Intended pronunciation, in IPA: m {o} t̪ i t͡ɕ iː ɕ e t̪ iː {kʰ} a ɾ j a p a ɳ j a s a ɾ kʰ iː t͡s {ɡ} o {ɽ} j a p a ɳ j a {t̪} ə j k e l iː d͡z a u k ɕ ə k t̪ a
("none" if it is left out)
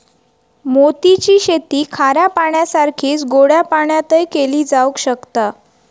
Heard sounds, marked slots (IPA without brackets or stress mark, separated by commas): o, kʰ, ɡ, ɽ, t̪